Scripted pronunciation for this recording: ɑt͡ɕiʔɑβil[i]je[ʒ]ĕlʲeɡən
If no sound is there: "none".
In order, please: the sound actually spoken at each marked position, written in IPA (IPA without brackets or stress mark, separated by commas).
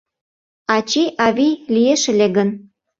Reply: i, ʃ